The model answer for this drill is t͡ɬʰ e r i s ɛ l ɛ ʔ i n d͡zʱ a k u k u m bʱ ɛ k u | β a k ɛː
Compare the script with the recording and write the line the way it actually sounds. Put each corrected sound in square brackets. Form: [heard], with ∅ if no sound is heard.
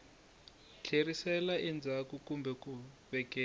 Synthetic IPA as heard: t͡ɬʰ e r i s ɛ l [a] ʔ i n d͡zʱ a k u k u m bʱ ɛ k u | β [ɛ] k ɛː